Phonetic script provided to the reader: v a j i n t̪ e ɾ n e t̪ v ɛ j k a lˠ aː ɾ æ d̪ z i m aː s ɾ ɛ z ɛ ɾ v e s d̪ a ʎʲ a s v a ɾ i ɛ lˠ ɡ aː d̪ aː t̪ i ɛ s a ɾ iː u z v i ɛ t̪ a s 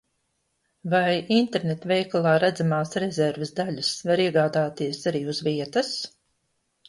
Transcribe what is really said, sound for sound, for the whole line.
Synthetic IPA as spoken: v a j i n t̪ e ɾ n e t̪ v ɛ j k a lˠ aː ɾ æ d̪ z a m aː s ɾ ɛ z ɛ ɾ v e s d̪ a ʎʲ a s v a ɾ i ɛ ɡ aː d̪ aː t̪ i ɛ s a ɾ iː u z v i ɛ t̪ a s